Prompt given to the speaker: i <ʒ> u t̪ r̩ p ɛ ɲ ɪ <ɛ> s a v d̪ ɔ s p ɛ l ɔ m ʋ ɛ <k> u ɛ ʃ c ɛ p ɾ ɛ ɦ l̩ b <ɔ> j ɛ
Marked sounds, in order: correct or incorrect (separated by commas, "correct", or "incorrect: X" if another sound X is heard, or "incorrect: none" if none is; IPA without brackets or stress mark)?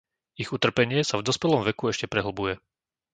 incorrect: ɣ, correct, correct, incorrect: u